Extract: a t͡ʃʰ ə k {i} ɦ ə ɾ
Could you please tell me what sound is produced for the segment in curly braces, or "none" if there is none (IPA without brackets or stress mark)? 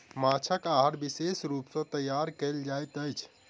a